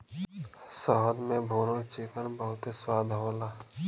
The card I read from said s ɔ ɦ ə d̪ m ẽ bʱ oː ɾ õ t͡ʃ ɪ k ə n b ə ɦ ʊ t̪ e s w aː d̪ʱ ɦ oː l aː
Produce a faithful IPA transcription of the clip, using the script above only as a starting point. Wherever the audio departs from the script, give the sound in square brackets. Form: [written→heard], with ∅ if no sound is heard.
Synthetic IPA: s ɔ ɦ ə d̪ m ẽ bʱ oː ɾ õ t͡ʃ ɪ k ə n b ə ɦ ʊ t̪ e s w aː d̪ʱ ɦ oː l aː